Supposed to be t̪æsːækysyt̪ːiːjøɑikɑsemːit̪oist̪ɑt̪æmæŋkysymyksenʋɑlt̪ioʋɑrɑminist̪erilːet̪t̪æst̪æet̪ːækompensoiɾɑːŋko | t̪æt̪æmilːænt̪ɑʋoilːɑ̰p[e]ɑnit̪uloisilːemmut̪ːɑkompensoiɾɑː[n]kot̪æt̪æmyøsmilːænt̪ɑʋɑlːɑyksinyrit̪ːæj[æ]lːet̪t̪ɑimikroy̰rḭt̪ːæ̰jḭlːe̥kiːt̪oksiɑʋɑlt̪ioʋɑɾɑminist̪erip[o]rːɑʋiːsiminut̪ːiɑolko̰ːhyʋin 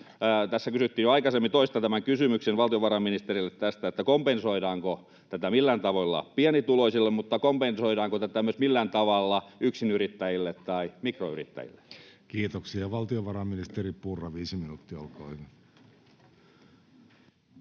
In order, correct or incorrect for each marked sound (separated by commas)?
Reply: incorrect, incorrect, incorrect, incorrect